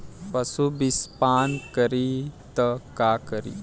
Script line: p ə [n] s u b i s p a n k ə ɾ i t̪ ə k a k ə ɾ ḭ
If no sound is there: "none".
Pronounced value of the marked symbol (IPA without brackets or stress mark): none